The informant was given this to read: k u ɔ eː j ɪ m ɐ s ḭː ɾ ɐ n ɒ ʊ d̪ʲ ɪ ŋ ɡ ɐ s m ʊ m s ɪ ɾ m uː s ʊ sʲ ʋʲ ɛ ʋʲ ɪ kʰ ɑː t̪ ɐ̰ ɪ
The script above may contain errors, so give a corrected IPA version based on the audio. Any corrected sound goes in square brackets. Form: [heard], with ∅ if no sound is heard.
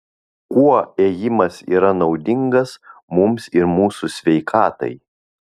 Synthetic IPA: k u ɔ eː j ɪ m ɐ s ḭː ɾ ɐ n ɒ ʊ d̪ʲ ɪ ŋ ɡ ɐ s m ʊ m s ɪ ɾ m uː s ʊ sʲ ʋʲ ɛ [∅] ɪ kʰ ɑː t̪ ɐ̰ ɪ

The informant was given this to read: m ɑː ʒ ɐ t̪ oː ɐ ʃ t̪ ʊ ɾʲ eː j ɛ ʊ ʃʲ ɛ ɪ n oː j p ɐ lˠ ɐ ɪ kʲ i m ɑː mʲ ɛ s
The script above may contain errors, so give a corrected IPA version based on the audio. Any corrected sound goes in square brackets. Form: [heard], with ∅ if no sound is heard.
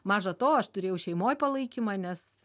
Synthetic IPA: m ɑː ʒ ɐ t̪ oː ɐ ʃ t̪ ʊ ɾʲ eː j ɛ ʊ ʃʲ ɛ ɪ [m] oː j p ɐ lˠ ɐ ɪ kʲ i m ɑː [nʲ] ɛ s

